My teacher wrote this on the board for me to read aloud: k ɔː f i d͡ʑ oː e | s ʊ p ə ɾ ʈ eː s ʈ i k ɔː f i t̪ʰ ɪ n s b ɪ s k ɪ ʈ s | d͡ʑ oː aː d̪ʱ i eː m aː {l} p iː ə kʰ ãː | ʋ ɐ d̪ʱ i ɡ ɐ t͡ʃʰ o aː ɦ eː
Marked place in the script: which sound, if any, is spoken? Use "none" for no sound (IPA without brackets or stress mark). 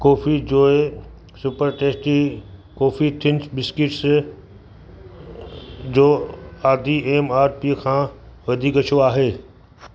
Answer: ɾ